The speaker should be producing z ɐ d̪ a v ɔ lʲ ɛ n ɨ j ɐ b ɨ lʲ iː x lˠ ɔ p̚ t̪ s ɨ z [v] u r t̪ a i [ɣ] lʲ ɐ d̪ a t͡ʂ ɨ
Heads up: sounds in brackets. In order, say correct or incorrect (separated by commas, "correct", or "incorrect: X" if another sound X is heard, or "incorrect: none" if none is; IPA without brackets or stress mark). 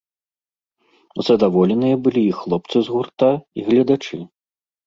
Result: incorrect: ɣ, correct